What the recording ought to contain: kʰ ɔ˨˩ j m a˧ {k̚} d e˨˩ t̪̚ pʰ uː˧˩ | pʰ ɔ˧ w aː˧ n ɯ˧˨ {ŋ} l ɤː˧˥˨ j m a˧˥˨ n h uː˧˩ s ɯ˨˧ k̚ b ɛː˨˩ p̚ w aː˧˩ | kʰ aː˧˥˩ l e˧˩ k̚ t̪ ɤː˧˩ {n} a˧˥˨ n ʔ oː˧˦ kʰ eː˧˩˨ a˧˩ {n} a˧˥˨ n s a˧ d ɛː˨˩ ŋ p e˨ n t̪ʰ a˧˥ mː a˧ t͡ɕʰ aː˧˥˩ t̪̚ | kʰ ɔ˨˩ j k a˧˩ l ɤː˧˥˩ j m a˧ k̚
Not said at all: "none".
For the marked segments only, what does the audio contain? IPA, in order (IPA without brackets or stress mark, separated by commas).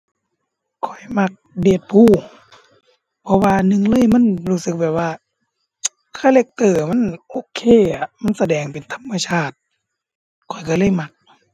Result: k̚, ŋ, m, m